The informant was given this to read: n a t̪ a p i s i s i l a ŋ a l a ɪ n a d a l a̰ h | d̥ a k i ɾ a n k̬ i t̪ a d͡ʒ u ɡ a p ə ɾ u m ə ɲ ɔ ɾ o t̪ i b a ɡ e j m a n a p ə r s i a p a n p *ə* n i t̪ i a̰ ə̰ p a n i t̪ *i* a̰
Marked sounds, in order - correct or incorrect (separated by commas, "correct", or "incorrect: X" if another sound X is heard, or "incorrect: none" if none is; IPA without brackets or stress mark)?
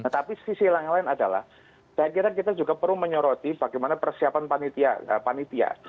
incorrect: a, correct